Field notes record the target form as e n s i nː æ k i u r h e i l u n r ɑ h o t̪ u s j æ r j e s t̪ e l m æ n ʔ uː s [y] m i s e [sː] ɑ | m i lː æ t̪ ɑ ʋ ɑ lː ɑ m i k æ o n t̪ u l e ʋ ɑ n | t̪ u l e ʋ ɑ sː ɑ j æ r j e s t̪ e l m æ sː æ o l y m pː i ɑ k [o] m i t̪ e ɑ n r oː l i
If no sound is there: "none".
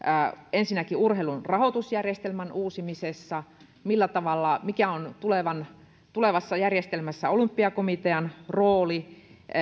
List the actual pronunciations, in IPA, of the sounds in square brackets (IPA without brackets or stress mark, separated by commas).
i, sː, o